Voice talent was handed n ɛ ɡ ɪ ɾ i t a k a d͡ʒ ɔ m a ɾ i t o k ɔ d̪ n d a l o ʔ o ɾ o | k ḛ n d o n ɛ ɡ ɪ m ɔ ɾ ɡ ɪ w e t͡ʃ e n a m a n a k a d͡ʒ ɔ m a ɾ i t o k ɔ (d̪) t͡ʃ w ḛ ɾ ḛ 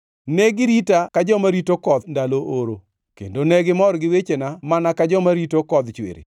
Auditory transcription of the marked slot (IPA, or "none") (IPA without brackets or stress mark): d̪